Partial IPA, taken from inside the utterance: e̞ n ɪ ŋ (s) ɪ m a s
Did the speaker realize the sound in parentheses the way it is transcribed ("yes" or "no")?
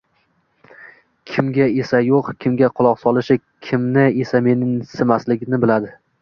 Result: yes